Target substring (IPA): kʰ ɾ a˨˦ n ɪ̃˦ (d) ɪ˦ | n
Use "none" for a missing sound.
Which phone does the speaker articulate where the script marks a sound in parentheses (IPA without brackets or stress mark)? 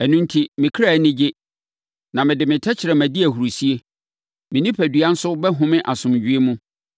d͡ʑ